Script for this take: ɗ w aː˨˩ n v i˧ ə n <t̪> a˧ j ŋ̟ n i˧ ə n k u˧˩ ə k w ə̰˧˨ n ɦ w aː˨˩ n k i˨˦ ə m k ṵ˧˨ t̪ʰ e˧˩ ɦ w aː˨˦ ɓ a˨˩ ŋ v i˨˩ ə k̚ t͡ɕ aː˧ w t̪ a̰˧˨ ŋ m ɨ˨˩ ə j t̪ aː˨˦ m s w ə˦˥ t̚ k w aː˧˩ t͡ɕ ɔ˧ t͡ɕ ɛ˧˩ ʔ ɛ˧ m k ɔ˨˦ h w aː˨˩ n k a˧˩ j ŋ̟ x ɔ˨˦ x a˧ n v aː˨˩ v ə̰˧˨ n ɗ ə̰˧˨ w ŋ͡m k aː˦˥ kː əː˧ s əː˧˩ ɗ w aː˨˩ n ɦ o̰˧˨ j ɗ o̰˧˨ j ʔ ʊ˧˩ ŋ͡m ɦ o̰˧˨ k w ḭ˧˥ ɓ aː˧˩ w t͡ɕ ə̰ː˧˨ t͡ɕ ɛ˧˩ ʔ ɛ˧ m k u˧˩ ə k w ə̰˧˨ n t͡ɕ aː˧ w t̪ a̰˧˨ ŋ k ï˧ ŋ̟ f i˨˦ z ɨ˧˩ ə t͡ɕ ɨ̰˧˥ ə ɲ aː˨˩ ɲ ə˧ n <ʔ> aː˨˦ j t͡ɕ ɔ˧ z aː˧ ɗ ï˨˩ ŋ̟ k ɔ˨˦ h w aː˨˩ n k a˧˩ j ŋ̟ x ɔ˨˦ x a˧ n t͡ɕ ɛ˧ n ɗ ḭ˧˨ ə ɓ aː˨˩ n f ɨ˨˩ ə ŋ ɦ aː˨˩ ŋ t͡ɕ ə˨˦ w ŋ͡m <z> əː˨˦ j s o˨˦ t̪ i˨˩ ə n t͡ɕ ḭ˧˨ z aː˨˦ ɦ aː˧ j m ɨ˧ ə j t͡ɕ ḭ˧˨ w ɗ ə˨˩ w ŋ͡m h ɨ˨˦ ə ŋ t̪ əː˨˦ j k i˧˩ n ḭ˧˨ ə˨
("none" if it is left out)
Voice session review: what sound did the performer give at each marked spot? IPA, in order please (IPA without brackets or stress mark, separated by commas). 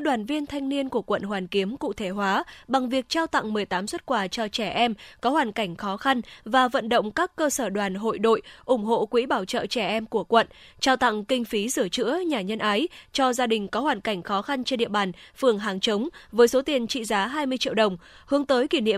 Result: t̪ʰ, ʔ, v